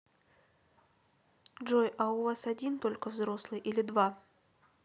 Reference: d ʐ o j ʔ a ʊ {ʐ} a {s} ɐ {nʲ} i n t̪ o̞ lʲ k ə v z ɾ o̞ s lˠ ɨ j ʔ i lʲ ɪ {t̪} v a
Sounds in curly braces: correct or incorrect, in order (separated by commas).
incorrect, correct, incorrect, incorrect